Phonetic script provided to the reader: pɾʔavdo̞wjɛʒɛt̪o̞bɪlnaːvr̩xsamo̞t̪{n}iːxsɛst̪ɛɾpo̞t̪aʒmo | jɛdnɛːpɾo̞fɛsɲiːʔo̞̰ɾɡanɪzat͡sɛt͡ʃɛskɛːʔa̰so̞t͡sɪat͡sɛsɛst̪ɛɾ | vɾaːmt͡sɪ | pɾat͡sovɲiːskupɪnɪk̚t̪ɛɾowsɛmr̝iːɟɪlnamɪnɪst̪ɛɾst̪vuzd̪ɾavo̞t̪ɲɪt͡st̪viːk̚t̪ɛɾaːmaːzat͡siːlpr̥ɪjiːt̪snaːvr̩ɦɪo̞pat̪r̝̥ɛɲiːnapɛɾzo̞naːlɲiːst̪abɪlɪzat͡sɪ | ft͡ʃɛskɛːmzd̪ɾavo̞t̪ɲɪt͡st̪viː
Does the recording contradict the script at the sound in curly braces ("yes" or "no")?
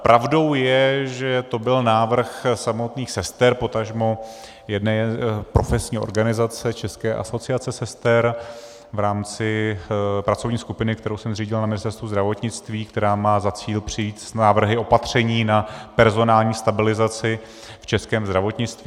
no